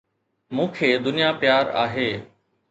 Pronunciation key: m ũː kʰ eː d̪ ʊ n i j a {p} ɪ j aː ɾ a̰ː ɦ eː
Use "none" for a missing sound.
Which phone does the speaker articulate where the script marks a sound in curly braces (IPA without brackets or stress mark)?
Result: p